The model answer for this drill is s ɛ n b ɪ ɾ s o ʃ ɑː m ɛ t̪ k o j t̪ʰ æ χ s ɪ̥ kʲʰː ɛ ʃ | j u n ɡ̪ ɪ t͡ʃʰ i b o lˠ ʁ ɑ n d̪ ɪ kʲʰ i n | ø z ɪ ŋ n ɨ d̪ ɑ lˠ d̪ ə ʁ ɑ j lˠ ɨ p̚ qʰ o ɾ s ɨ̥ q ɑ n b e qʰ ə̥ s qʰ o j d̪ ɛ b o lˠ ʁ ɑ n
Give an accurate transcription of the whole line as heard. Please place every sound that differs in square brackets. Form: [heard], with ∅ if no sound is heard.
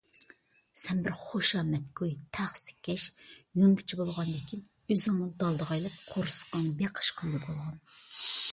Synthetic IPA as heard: s ɛ n b ɪ ɾ [χ] o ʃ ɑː m ɛ t̪ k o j t̪ʰ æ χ s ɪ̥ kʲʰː ɛ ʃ | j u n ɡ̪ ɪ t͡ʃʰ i b o lˠ ʁ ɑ n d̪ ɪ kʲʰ i n | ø z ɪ ŋ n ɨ d̪ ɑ lˠ d̪ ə ʁ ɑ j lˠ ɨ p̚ qʰ o ɾ s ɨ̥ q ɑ n b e qʰ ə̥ [ʃ] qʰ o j d̪ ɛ b o lˠ ʁ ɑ n